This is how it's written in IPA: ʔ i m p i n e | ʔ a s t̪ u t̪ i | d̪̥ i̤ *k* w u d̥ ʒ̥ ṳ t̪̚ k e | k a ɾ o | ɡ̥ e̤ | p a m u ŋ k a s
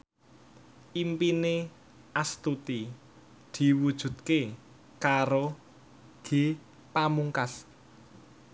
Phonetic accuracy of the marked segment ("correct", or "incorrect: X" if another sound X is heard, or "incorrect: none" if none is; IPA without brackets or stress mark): incorrect: none